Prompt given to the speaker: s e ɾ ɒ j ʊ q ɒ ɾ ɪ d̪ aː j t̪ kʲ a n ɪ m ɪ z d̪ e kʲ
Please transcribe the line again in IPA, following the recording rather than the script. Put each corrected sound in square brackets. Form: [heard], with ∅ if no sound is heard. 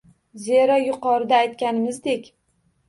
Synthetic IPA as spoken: [z] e ɾ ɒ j ʊ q ɒ ɾ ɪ d̪ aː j t̪ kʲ a n ɪ m ɪ z d̪ e kʲ